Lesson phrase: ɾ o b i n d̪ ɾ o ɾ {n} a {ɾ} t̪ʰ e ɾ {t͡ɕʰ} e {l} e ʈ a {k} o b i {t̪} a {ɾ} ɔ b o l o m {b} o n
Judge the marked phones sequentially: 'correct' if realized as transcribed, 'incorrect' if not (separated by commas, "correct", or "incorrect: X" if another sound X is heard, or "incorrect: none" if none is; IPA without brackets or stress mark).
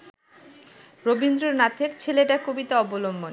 correct, incorrect: none, correct, correct, correct, correct, incorrect: none, correct